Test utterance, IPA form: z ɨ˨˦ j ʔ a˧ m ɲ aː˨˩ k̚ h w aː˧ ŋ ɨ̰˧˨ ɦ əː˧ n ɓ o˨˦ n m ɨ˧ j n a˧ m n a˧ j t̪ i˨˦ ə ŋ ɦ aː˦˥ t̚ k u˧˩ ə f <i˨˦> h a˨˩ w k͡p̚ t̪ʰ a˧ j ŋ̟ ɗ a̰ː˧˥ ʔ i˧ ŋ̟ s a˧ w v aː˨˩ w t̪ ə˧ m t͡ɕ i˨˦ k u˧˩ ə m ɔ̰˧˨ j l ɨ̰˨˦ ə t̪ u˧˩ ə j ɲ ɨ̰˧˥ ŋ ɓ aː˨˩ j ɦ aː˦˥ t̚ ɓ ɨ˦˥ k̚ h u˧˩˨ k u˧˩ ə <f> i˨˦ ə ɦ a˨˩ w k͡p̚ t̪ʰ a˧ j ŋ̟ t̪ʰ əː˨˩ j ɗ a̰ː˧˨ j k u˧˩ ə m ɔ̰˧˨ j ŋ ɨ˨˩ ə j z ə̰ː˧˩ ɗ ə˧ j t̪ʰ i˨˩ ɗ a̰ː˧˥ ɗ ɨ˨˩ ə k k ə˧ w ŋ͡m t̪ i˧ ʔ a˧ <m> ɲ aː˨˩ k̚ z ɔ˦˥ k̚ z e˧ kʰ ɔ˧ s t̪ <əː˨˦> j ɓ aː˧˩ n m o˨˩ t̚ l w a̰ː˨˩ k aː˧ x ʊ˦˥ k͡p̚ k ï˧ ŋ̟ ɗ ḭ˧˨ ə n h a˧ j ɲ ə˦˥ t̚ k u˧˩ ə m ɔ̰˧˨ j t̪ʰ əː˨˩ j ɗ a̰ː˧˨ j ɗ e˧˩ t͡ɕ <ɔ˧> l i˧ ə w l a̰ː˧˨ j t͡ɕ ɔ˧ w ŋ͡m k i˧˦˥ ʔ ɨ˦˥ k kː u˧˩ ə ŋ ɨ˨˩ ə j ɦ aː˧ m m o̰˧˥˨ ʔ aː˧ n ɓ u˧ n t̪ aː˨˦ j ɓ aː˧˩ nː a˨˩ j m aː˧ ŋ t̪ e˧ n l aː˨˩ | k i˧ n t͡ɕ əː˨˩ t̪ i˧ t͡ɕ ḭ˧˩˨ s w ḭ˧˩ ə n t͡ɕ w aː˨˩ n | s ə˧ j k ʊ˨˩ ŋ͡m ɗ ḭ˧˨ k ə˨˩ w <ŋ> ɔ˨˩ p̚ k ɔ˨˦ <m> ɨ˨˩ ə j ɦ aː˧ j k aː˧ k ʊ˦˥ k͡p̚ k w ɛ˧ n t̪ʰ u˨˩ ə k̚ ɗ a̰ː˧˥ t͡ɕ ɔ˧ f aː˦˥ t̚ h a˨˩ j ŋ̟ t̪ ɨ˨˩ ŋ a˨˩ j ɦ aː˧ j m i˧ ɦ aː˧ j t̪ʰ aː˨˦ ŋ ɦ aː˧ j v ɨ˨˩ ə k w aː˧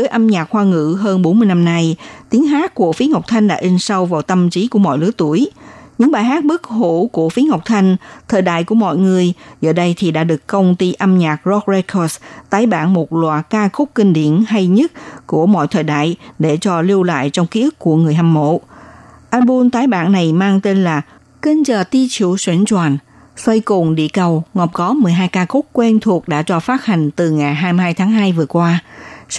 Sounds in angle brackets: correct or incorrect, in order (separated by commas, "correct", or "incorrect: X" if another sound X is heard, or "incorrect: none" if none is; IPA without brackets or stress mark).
correct, correct, correct, incorrect: aː˨˦, correct, correct, correct